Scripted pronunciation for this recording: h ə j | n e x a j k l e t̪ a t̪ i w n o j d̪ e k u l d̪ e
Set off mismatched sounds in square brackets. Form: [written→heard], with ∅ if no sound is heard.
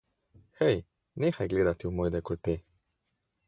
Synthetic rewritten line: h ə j | n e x a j [k→ɡ] l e [t̪→d̪] a t̪ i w [n→m] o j d̪ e k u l [d̪→t̪] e